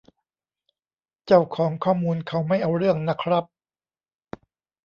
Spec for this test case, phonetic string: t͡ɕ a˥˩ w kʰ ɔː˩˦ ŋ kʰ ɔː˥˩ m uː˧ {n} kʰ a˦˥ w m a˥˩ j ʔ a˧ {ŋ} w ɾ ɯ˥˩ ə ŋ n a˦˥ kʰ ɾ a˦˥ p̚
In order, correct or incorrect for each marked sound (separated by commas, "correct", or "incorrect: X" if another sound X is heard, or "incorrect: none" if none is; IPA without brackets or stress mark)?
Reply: correct, incorrect: none